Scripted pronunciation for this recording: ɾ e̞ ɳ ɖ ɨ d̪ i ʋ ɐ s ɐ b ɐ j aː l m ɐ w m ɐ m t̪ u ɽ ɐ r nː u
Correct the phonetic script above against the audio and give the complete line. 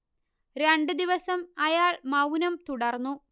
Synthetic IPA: ɾ e̞ ɳ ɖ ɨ d̪ i ʋ ɐ s ɐ m ɐ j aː ɭ m ɐ w n ɐ m t̪ u ɽ ɐ r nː u